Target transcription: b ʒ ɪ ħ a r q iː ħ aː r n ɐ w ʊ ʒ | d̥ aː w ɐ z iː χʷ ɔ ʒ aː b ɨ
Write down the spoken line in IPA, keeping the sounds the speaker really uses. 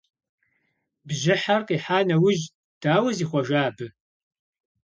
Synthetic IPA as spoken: b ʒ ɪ ħ a r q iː ħ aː n ɐ w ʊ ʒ | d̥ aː w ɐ z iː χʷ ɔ ʒ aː b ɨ